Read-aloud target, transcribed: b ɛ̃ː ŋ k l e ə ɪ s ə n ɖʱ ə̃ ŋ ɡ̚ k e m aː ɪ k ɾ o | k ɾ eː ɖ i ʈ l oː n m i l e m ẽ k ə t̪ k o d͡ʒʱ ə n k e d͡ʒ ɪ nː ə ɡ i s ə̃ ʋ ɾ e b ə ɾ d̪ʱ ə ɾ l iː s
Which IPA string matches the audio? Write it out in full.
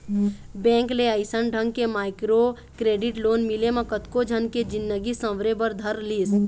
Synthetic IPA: b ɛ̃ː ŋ k l e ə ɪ s ə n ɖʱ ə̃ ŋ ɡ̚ k e m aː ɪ k ɾ o | k ɾ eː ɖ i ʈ l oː n m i l e m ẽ k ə t̪ k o d͡ʒʱ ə n k e d͡ʒ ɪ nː ə ɡ i s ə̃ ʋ ɾ e b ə ɾ d̪ʱ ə ɾ l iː s